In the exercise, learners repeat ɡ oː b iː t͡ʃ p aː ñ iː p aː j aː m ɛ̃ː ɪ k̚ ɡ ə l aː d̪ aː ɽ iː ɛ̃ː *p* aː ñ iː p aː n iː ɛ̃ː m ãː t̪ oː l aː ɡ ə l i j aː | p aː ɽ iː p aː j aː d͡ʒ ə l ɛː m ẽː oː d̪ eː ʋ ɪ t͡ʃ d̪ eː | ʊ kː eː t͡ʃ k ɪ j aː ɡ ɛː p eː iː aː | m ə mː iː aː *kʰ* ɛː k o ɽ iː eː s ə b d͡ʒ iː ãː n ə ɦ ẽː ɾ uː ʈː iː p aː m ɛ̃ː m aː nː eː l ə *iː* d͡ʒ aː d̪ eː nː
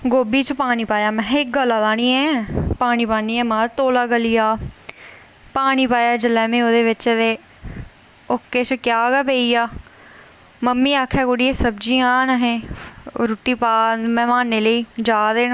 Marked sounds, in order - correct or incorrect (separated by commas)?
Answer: correct, correct, correct